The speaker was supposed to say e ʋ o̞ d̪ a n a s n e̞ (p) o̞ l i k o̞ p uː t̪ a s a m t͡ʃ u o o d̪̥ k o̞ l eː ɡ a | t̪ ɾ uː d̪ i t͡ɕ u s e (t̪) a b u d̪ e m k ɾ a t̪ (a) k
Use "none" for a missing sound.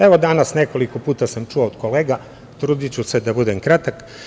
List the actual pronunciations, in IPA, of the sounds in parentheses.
k, d̪, a

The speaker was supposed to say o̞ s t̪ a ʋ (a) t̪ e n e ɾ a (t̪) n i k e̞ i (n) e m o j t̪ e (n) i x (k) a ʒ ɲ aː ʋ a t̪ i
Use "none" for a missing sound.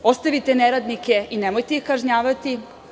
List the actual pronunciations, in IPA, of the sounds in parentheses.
i, d̪, n, none, k

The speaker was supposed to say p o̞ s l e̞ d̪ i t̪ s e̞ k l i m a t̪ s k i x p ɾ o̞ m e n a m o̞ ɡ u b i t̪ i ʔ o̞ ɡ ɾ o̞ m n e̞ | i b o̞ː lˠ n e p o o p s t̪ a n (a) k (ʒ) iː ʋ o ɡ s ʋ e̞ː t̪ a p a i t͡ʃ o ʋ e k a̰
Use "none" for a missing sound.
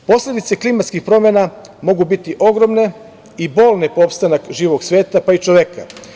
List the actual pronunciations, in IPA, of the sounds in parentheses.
a, ʒ

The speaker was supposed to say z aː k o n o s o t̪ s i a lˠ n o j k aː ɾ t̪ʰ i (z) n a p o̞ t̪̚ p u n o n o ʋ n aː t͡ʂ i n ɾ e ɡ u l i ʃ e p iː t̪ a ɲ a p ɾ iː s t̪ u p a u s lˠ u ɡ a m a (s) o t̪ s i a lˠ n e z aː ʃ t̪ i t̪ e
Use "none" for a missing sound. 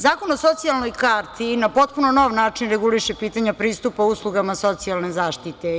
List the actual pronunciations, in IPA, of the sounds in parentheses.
none, s

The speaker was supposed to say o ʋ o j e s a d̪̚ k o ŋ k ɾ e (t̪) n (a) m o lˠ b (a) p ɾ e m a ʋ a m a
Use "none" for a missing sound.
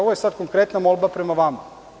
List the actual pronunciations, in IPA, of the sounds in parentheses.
t̪, a, a

